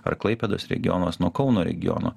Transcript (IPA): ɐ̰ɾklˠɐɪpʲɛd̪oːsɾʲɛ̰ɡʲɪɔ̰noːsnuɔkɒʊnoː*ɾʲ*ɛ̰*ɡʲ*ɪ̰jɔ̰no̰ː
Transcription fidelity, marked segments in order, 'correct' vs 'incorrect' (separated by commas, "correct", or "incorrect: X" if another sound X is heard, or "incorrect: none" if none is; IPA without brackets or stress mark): correct, correct